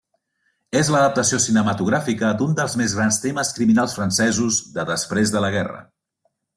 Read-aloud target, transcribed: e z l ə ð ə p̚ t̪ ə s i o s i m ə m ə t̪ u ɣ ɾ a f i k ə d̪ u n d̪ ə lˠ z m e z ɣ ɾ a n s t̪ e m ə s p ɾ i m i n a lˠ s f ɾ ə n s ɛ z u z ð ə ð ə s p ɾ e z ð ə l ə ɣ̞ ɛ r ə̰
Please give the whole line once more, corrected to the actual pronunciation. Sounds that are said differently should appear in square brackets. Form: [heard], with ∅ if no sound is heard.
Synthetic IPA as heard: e z l ə ð ə p̚ t̪ ə s i o s i [n] ə m ə t̪ u ɣ ɾ a f i k ə d̪ u n d̪ ə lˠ z m e z ɣ ɾ a n s t̪ e m ə s [k] ɾ i m i n a lˠ s f ɾ ə n s ɛ z u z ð ə ð ə s p ɾ e z ð ə l ə ɣ̞ ɛ r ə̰